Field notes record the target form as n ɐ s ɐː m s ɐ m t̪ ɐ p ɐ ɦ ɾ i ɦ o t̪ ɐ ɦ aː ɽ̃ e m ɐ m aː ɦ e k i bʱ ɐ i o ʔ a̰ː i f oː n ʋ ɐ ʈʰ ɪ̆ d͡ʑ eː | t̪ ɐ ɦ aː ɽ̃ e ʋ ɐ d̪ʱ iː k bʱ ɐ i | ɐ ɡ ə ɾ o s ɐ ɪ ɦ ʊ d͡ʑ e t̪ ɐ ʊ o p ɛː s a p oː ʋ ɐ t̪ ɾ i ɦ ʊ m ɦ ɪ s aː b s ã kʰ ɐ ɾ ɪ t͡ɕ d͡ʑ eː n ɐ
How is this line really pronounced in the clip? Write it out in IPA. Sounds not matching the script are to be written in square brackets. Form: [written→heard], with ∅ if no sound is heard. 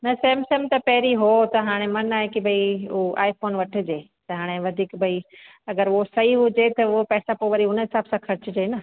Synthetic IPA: n ɐ s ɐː m s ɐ m t̪ ɐ p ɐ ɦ ɾ i ɦ o t̪ ɐ ɦ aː ɽ̃ e m ɐ [m→n] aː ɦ e k i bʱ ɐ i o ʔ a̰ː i f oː n ʋ ɐ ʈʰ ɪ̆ d͡ʑ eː | t̪ ɐ ɦ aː ɽ̃ e ʋ ɐ d̪ʱ iː k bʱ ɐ i | ɐ ɡ ə ɾ o s ɐ [ɪ→i] ɦ ʊ d͡ʑ e t̪ ɐ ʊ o p ɛː s a p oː ʋ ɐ [t̪→∅] ɾ i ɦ ʊ [m→n] ɦ ɪ s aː b s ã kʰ ɐ ɾ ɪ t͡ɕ d͡ʑ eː n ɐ